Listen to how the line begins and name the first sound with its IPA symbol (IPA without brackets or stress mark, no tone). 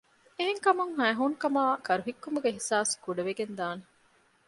e